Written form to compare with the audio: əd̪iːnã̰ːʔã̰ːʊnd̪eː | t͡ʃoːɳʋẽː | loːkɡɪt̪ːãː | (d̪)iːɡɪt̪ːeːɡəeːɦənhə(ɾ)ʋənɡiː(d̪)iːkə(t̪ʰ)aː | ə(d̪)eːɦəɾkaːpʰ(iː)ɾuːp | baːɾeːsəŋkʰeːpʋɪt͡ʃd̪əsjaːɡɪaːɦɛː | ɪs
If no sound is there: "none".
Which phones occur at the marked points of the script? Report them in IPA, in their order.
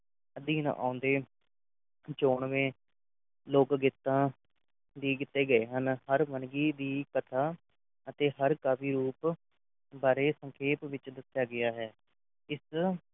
d̪, ɾ, d̪, t̪ʰ, t̪, iː

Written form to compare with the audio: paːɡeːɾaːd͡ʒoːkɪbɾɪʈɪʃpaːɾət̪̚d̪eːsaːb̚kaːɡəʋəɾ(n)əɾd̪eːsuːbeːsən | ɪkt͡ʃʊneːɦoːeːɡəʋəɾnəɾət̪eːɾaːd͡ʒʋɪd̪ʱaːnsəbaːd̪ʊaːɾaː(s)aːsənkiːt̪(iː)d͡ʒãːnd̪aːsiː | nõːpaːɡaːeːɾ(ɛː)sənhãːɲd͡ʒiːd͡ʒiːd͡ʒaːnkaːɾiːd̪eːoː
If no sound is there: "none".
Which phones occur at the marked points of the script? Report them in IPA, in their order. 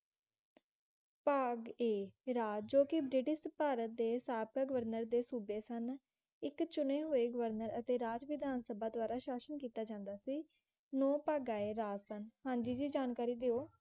n, ʃ, aː, aː

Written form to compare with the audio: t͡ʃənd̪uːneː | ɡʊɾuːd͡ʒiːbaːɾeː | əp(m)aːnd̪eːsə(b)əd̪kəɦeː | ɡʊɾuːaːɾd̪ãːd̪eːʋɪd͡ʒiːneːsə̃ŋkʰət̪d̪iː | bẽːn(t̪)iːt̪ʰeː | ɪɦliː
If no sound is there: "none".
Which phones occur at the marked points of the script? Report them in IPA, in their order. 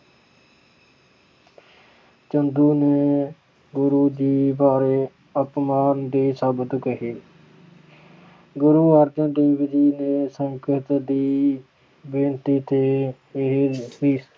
m, b, t̪

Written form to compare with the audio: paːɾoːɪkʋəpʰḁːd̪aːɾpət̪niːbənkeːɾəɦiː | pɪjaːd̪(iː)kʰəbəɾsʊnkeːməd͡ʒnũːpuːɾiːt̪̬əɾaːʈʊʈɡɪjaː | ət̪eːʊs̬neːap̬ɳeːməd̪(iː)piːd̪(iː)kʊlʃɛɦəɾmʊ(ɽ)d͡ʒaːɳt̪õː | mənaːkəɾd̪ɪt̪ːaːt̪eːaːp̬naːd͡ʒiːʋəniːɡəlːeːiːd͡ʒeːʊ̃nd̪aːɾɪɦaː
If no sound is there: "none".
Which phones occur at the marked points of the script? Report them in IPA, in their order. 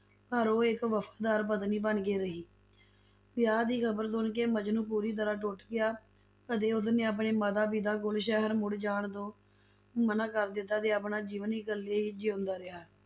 iː, aː, aː, ɽ

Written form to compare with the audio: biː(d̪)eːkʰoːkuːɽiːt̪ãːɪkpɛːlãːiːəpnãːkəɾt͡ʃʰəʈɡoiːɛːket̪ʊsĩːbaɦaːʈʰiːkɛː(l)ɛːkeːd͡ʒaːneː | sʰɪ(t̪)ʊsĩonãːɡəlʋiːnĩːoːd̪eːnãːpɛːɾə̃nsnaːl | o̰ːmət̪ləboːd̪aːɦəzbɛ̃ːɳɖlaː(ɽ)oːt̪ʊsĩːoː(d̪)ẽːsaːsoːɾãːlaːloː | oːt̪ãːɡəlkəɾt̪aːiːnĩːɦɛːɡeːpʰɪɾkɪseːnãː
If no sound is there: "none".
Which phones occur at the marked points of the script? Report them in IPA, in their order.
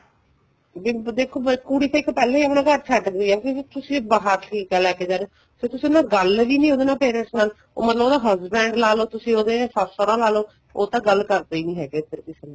d̪, l, t̪, l, d̪

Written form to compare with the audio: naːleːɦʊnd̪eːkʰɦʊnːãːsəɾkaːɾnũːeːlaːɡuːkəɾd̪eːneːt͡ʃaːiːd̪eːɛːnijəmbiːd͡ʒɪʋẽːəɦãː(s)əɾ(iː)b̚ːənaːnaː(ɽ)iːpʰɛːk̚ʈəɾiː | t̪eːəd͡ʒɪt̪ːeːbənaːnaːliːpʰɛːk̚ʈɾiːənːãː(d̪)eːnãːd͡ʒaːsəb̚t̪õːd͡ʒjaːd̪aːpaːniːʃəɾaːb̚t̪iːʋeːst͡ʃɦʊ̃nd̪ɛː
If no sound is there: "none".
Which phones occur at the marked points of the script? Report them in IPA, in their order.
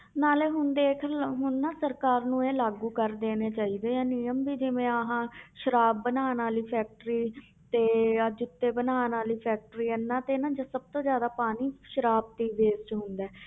ʃ, aː, l, t̪

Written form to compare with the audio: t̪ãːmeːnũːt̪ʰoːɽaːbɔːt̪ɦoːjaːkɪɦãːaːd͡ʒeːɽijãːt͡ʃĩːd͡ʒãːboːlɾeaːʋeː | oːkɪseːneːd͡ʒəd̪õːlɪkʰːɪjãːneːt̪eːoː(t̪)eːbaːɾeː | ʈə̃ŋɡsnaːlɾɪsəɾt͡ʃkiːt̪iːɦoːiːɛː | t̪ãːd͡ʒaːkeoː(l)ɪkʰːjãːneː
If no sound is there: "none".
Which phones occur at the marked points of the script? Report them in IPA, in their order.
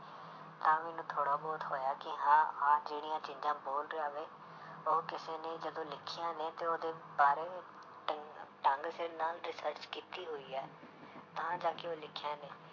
d̪, l

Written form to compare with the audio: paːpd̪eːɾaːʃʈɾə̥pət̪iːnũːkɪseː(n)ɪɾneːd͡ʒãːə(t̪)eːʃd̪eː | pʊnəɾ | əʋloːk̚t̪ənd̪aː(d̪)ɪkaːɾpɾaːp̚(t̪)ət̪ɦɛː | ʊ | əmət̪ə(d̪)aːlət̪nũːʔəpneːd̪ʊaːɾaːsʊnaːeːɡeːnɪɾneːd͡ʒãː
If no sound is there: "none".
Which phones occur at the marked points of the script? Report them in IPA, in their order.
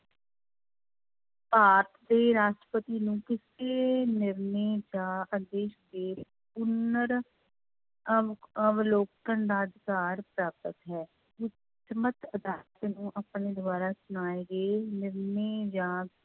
n, d̪, d̪, t̪, d̪

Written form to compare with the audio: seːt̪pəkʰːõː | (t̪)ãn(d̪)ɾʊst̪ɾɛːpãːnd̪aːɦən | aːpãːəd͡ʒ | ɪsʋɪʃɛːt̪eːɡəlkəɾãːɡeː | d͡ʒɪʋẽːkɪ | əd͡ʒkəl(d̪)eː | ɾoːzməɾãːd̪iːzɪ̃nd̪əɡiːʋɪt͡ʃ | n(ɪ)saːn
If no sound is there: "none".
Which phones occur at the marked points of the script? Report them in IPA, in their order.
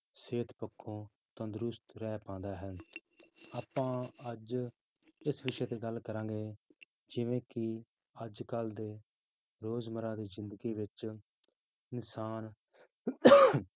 t̪, d̪, d̪, ɪ

